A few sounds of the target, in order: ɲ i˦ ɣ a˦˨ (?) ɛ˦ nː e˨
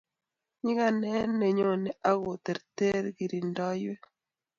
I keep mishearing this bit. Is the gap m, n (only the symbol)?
n